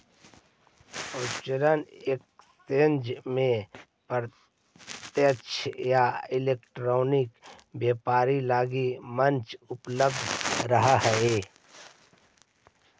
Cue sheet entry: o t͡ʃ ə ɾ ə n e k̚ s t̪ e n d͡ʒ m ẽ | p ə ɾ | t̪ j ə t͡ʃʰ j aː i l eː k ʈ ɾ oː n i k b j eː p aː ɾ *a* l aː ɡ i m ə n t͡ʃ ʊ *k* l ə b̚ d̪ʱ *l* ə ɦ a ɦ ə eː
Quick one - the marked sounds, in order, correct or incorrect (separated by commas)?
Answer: incorrect, incorrect, incorrect